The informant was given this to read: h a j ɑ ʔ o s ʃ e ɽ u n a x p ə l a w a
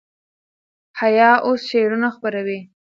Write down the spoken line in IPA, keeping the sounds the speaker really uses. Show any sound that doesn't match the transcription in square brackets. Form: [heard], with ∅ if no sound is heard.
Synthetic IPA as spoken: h a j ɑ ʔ o s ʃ e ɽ u n a x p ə [ɾ] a w [i]

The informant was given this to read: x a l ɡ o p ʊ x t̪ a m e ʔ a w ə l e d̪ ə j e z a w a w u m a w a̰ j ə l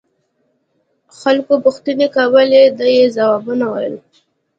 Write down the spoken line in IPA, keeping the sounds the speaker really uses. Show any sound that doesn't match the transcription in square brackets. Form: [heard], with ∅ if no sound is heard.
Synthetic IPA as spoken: x a l [k] o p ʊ x t̪ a [n] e [k] a w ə l e d̪ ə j e z a w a [b] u [n] a w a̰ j ə l

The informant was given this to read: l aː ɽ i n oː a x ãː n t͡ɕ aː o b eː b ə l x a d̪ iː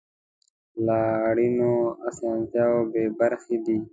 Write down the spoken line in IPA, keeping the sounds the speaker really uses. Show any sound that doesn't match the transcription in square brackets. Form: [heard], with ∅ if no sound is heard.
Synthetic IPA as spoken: l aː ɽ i n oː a [s] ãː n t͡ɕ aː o b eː b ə [ɾ] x [i] d̪ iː

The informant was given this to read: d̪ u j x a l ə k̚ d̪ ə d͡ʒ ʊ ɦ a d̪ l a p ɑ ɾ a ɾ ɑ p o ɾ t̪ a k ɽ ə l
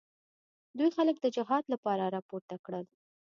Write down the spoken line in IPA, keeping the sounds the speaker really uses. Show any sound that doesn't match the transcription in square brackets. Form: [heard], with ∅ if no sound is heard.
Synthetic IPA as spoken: d̪ u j x a l ə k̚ d̪ ə d͡ʒ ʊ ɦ [ɑ] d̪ l a p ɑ ɾ a ɾ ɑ p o ɾ t̪ a k ɽ ə l

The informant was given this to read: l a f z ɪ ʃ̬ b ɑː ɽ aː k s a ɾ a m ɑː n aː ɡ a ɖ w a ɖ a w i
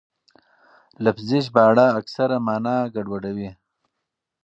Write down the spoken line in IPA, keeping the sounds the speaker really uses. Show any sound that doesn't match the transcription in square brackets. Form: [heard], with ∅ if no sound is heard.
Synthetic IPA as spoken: l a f z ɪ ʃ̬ b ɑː ɽ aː k s a ɾ a m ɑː n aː ɡ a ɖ w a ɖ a w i

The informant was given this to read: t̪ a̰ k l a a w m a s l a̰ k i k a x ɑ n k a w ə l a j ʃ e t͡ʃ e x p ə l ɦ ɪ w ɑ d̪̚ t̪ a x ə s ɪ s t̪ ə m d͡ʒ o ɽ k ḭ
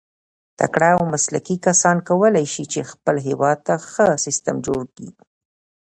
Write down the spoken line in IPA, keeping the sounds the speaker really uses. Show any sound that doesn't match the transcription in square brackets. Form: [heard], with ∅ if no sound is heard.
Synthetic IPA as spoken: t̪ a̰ k [ɽ] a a w m a s l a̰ k i k a [s] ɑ n k a w ə l a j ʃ [i] t͡ʃ e x p ə l ɦ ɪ w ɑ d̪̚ t̪ a x ə s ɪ s t̪ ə m d͡ʒ o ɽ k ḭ

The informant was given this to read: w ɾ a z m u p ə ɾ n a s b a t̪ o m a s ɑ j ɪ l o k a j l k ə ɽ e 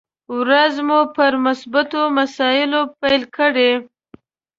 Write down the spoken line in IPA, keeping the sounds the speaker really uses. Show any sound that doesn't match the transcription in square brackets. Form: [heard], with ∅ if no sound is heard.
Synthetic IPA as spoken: w ɾ a z m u p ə ɾ [m] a s b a t̪ o m a s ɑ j ɪ l o [p] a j l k ə ɽ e

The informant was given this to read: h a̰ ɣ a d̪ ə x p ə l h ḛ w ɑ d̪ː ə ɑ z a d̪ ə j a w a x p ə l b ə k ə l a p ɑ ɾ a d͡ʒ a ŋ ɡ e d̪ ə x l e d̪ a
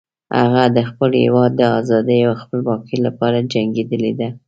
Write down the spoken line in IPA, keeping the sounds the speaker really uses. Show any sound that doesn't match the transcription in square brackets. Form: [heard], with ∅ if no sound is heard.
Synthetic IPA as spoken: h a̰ ɣ a d̪ ə x p ə l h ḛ w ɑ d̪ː ə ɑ z [ɑ] d̪ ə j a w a x p ə l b [ɑ] k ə l a p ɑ ɾ a d͡ʒ a ŋ ɡ e d̪ ə [∅] l e d̪ a

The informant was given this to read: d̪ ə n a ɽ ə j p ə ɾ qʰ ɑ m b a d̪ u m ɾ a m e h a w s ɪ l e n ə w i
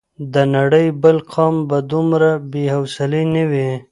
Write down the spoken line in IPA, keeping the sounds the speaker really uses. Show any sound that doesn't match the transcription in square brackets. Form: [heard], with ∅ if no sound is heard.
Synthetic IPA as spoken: d̪ ə n a ɽ ə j [b] ə [l] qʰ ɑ m b a d̪ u m ɾ a [b] e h a w s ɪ l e n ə w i

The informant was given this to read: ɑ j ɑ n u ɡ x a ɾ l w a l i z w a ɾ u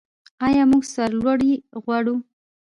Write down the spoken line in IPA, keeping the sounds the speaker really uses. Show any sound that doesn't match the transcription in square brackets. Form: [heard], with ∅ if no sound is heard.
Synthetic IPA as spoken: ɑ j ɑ [m] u ɡ [s] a ɾ l w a [ɽ] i [ɣ] w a [ɽ] u

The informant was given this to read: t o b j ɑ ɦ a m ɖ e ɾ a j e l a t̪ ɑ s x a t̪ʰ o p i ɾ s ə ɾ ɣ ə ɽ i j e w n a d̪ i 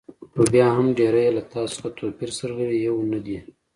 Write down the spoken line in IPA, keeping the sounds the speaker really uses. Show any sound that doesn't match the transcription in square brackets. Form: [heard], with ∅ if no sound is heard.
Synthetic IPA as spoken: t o b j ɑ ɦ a m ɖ e ɾ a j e l a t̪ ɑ s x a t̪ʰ o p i ɾ s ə ɾ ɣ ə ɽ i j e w n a d̪ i

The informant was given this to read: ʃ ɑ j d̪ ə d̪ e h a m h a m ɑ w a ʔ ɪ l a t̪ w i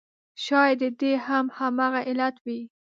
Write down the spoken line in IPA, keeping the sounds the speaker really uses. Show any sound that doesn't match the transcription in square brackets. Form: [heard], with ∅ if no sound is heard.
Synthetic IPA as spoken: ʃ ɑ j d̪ ə d̪ e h a m h a m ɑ [ɣ] a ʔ ɪ l a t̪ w i

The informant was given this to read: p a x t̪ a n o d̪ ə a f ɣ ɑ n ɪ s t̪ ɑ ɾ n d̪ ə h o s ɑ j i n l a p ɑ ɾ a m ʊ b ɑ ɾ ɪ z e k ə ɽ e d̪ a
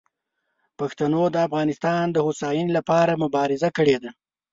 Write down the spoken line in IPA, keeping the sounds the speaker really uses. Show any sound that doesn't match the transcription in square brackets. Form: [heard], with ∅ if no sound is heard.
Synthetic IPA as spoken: p a x t̪ a n o d̪ ə a f ɣ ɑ n ɪ s t̪ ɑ [∅] n d̪ ə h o s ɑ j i n l a p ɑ ɾ a m ʊ b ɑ ɾ ɪ z [a] k ə ɽ e d̪ a

